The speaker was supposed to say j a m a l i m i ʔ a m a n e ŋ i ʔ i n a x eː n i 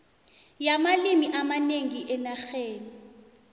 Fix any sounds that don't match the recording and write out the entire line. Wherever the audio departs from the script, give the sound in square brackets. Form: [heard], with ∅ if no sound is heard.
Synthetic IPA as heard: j a m a l i m i ʔ a m a n e ŋ i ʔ [ɛ] n a x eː n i